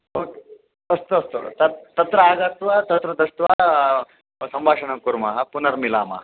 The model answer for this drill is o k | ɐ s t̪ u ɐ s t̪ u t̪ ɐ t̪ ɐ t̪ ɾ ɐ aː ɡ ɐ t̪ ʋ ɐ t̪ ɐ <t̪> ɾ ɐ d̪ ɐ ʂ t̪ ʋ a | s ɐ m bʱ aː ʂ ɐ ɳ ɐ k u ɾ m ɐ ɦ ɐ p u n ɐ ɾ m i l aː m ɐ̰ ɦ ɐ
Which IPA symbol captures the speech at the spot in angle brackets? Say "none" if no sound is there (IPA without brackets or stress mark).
t̪